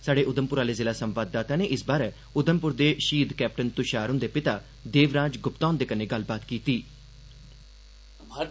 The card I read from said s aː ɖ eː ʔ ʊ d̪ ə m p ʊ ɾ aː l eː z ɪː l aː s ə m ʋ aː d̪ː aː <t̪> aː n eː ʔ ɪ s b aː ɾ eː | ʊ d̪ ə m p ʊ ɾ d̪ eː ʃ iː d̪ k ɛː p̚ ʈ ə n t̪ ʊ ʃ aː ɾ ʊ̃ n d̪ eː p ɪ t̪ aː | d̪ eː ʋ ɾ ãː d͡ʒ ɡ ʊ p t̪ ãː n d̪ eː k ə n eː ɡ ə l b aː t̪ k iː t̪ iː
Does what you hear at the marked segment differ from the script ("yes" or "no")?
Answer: no